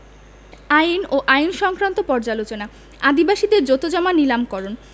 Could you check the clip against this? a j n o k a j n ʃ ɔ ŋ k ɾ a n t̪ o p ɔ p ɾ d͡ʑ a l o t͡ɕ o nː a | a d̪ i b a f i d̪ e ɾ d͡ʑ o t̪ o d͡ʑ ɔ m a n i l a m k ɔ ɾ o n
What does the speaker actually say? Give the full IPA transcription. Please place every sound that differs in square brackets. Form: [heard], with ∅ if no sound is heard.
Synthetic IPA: a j n o [ʔ] a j n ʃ ɔ ŋ k ɾ a n t̪ o p ɔ [∅] ɾ d͡ʑ a l o t͡ɕ o [n] a | a d̪ i b a [ʃ] i d̪ e ɾ d͡ʑ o t̪ o d͡ʑ ɔ m a n i l a m k ɔ ɾ o n